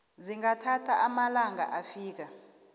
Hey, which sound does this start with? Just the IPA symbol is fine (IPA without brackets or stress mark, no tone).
z